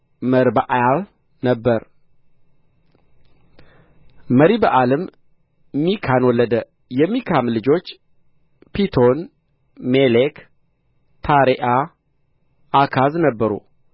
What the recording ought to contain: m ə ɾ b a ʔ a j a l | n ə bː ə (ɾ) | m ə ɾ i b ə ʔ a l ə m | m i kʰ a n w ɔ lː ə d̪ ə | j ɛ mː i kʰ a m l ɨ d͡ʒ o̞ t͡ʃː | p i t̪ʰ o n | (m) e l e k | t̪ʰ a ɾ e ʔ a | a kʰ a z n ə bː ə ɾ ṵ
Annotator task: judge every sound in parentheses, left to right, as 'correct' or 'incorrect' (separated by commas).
correct, correct